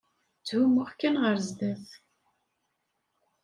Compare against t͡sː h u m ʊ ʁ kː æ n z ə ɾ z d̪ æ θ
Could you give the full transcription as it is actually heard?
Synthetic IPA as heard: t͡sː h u m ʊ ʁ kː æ n ʁ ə ɾ z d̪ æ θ